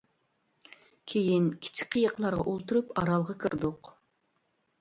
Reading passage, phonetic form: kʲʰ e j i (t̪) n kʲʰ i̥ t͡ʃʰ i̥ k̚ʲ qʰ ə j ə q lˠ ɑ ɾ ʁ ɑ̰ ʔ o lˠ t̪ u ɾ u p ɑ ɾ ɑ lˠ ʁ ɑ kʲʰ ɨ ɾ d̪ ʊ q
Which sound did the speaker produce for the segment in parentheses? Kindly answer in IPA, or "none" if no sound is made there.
none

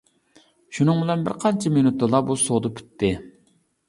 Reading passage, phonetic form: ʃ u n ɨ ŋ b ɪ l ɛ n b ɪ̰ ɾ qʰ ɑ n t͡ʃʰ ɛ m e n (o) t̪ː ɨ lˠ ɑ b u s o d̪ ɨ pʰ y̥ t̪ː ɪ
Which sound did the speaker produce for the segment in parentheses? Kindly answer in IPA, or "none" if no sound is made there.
u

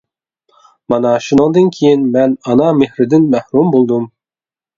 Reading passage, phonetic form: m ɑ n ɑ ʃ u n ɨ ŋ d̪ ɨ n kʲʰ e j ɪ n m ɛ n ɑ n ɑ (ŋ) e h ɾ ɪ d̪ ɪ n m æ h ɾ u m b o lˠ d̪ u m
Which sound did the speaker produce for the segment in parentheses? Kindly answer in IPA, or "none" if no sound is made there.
m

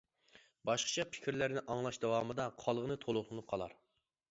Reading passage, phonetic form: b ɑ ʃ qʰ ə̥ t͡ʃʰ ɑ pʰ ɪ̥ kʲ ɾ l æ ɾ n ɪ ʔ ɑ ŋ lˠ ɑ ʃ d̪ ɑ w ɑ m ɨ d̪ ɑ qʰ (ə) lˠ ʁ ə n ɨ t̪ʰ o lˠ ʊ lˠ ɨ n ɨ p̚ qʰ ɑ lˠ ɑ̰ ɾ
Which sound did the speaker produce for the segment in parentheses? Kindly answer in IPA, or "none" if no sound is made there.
ɑ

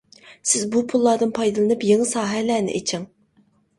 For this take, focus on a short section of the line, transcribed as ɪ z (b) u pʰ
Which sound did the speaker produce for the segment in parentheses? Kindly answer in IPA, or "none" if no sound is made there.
b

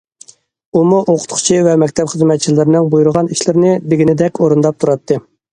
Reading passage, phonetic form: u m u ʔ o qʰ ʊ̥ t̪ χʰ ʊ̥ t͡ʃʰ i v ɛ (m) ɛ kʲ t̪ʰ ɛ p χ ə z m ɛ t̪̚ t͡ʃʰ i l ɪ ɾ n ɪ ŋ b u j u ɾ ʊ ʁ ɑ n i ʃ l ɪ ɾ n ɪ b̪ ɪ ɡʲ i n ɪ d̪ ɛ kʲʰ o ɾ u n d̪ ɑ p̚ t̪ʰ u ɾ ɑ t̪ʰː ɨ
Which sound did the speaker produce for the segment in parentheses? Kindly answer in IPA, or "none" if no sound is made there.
m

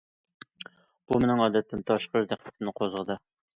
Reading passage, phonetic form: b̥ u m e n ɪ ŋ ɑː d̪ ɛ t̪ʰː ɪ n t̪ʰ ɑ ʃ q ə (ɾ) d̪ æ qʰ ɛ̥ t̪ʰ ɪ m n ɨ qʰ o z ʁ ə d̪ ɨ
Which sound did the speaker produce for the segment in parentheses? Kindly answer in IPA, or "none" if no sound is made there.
ɾ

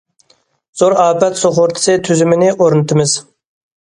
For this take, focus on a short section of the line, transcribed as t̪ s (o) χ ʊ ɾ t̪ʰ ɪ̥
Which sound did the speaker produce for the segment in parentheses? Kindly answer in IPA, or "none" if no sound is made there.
o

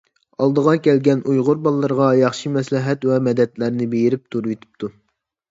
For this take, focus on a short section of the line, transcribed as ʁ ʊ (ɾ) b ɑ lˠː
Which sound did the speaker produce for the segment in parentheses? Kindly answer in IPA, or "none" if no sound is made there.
ɾ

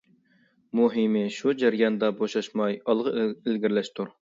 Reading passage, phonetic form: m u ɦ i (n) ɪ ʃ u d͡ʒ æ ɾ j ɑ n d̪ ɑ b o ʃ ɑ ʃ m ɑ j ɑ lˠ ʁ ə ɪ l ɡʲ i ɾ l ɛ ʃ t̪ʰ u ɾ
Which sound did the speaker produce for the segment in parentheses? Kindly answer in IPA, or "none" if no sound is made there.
m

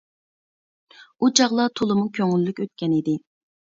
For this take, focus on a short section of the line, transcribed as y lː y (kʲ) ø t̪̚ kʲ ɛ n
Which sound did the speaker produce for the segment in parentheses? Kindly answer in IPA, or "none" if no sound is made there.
kʲ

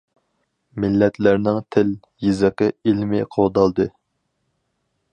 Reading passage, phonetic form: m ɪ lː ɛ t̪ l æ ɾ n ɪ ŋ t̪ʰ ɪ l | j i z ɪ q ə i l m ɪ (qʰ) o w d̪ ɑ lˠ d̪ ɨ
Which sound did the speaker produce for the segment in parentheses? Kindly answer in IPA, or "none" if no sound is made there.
qʰ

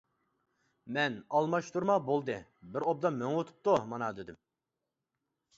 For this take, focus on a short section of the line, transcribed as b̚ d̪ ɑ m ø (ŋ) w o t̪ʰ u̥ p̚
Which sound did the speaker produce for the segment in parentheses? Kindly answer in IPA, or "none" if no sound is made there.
ŋ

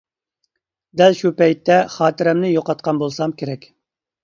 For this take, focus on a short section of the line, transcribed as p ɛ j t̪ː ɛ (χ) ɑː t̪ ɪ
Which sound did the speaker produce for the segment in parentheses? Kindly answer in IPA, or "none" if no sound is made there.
χ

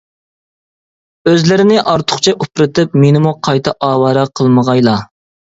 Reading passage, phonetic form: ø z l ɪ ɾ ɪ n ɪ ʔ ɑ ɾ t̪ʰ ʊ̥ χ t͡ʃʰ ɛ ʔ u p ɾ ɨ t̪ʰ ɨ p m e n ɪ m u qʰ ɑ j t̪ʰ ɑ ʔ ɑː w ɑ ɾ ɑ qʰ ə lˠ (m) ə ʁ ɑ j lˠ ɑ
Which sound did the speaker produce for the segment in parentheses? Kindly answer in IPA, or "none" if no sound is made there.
m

